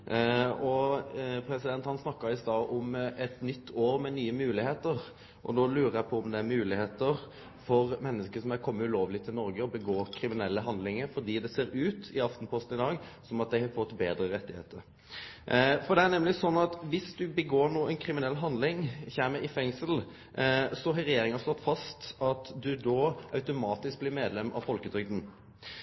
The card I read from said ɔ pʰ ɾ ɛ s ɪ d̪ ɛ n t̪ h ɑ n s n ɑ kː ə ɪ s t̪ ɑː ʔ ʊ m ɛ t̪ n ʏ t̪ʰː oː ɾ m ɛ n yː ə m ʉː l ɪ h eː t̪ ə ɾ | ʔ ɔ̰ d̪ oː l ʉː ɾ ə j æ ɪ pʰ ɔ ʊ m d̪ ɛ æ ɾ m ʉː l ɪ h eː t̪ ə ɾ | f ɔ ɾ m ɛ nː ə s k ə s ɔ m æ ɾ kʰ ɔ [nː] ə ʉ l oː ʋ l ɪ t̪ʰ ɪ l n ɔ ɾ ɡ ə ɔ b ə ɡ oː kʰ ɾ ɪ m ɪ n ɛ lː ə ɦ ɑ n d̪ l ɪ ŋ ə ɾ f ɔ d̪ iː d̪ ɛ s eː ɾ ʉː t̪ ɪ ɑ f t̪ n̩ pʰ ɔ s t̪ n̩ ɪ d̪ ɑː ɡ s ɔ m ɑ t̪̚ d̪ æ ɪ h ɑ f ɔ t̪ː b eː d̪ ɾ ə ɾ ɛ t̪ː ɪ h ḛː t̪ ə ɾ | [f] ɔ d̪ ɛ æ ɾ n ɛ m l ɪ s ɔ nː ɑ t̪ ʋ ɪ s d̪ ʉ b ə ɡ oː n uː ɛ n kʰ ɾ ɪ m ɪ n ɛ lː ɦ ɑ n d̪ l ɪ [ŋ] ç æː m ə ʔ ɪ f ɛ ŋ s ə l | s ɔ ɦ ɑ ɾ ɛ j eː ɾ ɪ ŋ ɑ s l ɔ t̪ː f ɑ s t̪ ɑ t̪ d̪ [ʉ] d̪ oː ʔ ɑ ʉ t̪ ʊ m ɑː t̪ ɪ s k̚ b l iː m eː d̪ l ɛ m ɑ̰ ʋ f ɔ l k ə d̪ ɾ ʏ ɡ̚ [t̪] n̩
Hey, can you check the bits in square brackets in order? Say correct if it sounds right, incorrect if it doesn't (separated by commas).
incorrect, correct, correct, correct, incorrect